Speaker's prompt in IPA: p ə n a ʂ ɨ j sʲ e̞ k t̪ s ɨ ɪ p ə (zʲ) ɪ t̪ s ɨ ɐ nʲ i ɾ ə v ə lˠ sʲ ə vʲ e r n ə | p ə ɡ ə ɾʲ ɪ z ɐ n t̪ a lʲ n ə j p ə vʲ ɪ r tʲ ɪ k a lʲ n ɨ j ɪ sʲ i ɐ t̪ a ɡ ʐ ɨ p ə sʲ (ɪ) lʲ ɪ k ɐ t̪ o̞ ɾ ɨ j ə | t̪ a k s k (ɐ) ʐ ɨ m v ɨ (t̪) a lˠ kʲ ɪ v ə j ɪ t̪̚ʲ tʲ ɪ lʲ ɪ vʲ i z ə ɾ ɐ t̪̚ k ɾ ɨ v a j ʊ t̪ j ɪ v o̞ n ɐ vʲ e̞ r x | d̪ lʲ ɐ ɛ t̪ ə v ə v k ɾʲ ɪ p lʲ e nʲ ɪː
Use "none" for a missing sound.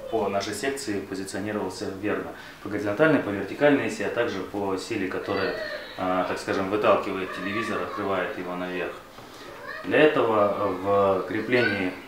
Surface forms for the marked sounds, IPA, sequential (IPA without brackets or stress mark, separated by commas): zʲ, i, a, t̪